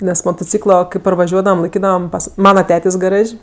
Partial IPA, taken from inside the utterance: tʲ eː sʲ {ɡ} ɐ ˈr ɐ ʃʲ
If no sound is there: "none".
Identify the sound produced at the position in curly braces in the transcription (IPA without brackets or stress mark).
ɡ